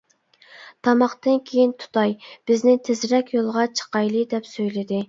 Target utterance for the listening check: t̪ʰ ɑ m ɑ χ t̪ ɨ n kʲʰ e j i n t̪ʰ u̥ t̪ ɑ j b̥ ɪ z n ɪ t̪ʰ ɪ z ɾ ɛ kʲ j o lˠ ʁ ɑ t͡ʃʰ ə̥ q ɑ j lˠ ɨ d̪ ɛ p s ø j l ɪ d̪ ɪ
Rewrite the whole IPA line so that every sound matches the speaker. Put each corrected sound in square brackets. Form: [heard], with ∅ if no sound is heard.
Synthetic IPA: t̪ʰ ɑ m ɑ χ t̪ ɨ n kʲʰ e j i n t̪ʰ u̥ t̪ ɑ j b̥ ɪ z n ɪ t̪ʰ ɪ z ɾ ɛ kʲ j o lˠ ʁ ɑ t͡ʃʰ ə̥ q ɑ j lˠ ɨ d̪ ɛ p s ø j l ɪ d̪ ɪ